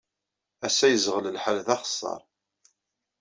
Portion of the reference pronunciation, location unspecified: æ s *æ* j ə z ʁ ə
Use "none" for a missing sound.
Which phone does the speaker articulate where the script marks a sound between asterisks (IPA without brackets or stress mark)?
æ